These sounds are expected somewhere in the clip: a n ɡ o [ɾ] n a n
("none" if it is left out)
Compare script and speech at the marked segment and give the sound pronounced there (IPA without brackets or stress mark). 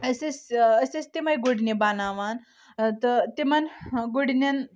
ɽ